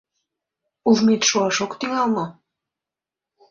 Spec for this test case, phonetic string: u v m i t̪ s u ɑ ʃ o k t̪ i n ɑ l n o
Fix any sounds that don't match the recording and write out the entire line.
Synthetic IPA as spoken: u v m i t̪ ʃ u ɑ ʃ o k t̪ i ŋ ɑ l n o